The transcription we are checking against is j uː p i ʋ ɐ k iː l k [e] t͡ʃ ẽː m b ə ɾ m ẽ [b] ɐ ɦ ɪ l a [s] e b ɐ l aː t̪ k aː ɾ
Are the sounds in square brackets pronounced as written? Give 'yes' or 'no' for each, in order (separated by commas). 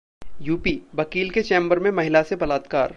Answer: yes, no, yes